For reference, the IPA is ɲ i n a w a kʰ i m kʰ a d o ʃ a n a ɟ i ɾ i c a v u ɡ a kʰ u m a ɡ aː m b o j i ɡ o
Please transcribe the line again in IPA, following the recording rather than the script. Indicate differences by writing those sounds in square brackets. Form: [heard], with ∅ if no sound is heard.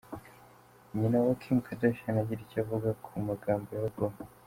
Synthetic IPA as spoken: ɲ i n a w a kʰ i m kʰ a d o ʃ a n a ɟ i ɾ i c a v u ɡ a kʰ u m a ɡ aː m b o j [a] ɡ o